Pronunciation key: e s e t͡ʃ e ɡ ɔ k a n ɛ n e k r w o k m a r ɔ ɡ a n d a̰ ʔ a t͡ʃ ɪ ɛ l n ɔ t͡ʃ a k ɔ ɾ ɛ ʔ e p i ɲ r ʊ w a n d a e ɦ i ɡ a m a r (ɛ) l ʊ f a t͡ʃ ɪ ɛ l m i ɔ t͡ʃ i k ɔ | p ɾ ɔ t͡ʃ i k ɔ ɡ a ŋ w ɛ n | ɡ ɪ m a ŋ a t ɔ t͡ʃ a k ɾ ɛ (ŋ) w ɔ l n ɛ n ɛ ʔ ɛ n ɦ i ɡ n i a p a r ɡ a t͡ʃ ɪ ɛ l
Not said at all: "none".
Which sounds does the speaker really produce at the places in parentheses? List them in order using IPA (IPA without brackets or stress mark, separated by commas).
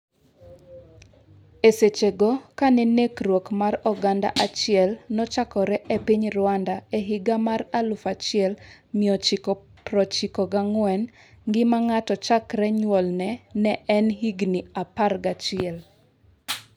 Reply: a, ɲ